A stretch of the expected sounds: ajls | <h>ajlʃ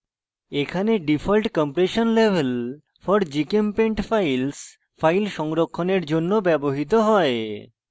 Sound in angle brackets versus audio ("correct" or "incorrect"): incorrect